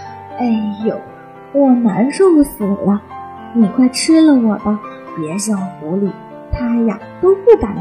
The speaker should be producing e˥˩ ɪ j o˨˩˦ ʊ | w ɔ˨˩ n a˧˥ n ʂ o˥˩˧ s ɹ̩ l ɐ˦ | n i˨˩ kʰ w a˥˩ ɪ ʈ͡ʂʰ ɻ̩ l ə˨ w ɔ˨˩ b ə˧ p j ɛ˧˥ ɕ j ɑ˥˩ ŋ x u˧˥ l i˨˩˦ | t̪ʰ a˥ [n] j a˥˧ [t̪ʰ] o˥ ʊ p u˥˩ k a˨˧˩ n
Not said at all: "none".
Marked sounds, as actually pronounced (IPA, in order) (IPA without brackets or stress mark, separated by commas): none, t̪